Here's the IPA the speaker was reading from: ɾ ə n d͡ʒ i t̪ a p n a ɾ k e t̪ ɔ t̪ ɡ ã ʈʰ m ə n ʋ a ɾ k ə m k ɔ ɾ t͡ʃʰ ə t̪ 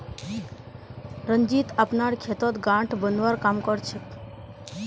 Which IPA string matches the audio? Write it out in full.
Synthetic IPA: ɾ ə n d͡ʒ i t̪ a p n a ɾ kʰ e t̪ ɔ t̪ ɡ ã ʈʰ b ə n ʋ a ɾ k a m k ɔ ɾ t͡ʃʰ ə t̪